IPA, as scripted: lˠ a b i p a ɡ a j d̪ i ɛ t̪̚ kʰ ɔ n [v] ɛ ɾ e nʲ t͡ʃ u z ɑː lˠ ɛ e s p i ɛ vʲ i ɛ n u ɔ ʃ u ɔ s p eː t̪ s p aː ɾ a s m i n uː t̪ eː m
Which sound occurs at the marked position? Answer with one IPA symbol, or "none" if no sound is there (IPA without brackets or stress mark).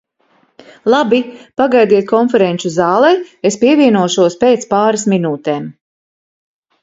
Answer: f